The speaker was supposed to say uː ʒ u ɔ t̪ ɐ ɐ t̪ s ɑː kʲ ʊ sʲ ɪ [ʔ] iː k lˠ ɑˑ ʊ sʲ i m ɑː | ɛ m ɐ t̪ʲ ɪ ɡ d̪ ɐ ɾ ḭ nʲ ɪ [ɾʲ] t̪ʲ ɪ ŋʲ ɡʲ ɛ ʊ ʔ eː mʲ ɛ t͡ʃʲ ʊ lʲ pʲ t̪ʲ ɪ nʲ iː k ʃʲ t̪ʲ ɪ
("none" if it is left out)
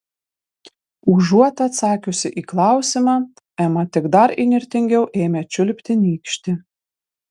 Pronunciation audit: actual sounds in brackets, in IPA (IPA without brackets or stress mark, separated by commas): ʔ, ɾʲ